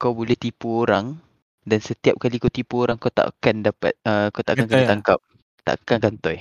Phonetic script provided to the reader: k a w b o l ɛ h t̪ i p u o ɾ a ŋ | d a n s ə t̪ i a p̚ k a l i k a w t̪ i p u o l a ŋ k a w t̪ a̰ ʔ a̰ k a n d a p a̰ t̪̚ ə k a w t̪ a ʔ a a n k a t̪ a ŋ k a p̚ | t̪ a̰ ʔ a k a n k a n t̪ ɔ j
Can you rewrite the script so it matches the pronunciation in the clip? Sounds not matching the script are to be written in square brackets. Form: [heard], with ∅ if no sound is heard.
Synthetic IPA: k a w b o l ɛ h t̪ i p u o ɾ a ŋ | d a n s ə t̪ i a p̚ k a l i k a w t̪ i p u o [ɾ] a ŋ k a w t̪ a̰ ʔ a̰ k a n d a p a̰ t̪̚ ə k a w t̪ a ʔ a a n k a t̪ a ŋ k a p̚ | t̪ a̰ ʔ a k a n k a n t̪ ɔ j